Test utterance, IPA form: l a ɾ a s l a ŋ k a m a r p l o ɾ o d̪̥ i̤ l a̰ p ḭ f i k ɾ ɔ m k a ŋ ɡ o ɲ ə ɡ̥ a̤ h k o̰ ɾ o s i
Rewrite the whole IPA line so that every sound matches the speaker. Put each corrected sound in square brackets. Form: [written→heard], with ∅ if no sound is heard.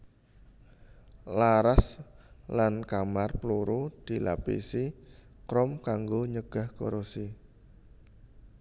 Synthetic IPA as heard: l a ɾ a s l a [ŋ→n] k a m a r p l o ɾ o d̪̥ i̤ l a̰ p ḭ [f→s] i k ɾ ɔ m k a ŋ ɡ o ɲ ə ɡ̥ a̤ h k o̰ ɾ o s i